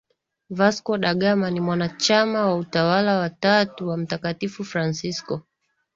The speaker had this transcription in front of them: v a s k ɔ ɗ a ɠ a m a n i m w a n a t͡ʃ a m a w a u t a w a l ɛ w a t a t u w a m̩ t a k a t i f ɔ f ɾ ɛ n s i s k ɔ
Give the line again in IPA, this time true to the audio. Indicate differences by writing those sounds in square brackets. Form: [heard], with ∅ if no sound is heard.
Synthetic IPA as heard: v a s k ɔ ɗ a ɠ a m a n i m w a n a t͡ʃ a m a w a u t a w a l [a] w a t a t u w a m̩ t a k a t i f [u] f ɾ [a] n s i s k ɔ